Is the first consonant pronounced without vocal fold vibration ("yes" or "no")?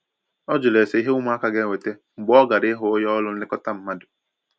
no